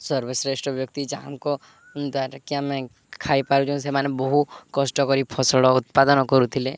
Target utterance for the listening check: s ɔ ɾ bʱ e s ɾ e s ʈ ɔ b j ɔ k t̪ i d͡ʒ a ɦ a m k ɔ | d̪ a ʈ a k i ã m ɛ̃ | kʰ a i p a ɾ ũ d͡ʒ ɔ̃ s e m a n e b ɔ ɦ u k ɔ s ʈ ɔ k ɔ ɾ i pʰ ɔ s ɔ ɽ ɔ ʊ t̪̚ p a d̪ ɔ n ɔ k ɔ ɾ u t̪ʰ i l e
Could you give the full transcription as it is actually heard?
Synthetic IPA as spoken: s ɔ ɾ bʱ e s ɾ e s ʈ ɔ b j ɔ k t̪ i d͡ʒ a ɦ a m k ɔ | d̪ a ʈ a k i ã m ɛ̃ | kʰ a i p a ɾ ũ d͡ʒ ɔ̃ s e m a n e b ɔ ɦ u k ɔ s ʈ ɔ k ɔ ɾ i pʰ ɔ s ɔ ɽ ɔ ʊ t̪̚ p a d̪ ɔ n ɔ k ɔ ɾ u t̪ʰ i l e

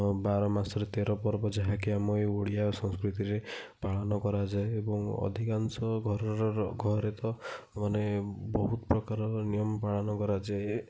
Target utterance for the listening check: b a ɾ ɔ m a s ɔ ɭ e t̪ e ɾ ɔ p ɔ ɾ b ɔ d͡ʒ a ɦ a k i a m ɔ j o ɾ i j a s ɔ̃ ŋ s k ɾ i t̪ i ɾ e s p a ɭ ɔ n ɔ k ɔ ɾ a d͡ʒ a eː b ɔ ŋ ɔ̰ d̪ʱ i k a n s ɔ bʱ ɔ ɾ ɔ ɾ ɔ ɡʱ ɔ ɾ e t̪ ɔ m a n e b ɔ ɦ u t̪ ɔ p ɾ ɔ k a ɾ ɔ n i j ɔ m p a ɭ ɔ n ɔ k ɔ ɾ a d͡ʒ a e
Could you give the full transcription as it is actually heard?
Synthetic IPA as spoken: b a ɾ ɔ m a s ɔ ɾ e t̪ e ɾ ɔ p ɔ ɾ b ɔ d͡ʒ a ɦ a k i a m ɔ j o ɽ i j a s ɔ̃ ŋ s k ɾ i t̪ i ɾ e p a ɭ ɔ n ɔ k ɔ ɾ a d͡ʒ a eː b ɔ ŋ ɔ̰ d̪ʱ i k a n s ɔ ɡʱ ɔ ɾ ɔ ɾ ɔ ɡʱ ɔ ɾ e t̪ ɔ m a n e b ɔ ɦ u t̪ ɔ p ɾ ɔ k a ɾ ɔ n i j ɔ m p a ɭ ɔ n ɔ k ɔ ɾ a d͡ʒ a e

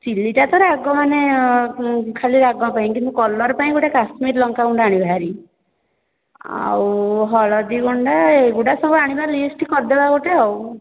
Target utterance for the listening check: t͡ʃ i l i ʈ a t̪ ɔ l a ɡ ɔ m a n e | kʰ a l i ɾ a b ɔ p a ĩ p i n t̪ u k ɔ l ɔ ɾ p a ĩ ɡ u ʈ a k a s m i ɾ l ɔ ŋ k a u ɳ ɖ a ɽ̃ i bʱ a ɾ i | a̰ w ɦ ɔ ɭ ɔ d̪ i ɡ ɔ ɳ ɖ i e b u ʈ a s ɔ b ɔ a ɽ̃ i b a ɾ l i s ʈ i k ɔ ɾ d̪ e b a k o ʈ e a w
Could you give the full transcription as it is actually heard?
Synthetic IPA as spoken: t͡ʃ i l i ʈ a t̪ ɔ ɾ a ɡ ɔ m a n e | kʰ a l i ɾ a ɡ ɔ p a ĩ k i n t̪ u k ɔ l ɔ ɾ p a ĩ ɡ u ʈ a k a s m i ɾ l ɔ ŋ k a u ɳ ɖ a ɽ̃ i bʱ a ɾ i | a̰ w ɦ ɔ ɭ ɔ d̪ i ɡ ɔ ɳ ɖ a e ɡ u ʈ a s ɔ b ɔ a ɽ̃ i b a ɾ l i s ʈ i k ɔ ɾ d̪ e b a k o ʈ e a w

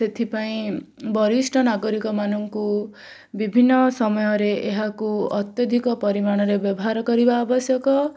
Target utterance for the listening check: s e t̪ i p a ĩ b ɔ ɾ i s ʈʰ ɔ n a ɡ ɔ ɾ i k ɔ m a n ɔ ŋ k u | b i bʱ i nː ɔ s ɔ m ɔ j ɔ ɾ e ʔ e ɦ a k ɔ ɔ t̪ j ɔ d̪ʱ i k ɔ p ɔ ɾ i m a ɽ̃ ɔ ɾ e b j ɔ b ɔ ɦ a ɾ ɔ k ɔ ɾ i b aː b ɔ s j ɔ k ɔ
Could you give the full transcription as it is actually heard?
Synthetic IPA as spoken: s e t̪ʰ i p a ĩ b ɔ ɾ i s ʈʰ ɔ n a ɡ ɔ ɾ i k ɔ m a n ɔ ŋ k u | b i bʱ i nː ɔ s ɔ m ɔ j ɔ ɾ e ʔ e ɦ a k u ɔ t̪ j ɔ d̪ʱ i k ɔ p ɔ ɾ i m a ɽ̃ ɔ ɾ e b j ɔ b ɔ ɦ a ɾ ɔ k ɔ ɾ i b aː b ɔ s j ɔ k ɔ

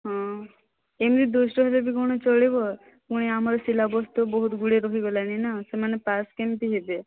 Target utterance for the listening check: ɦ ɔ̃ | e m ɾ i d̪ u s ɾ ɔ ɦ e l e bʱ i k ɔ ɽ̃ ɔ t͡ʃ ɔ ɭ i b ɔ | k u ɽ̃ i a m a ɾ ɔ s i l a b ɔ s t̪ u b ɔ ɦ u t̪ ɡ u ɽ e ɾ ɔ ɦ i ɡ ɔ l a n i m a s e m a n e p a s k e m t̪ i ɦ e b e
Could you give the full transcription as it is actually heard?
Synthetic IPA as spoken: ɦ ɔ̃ | e m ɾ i d̪ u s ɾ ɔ ɦ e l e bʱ i k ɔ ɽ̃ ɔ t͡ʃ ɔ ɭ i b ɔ | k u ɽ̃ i a m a ɾ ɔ s i l a b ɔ s t̪ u b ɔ ɦ u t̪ ɡ u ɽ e ɾ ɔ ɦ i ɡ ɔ l a n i n a s e m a n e p a s k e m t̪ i ɦ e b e

